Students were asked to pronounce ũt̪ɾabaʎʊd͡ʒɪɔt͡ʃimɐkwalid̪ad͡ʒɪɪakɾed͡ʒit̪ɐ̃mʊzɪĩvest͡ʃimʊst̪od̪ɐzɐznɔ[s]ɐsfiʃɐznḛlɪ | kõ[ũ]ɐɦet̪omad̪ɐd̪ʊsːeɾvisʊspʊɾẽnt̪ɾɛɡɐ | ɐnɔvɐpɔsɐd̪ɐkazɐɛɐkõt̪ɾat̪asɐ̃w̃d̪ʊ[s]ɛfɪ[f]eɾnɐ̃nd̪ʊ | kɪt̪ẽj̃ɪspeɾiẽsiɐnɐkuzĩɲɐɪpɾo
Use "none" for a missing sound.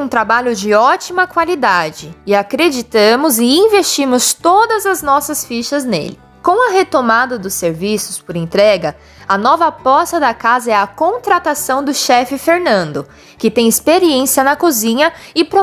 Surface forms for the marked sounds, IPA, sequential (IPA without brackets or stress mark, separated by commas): s, w̃, ʃ, f